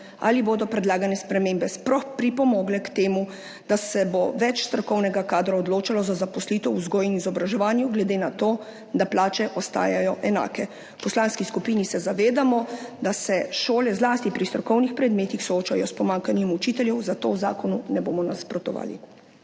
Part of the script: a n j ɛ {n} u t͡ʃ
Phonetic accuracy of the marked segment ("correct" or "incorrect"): incorrect